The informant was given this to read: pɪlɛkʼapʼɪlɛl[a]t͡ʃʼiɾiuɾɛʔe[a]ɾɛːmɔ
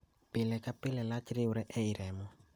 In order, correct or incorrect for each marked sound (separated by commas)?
correct, incorrect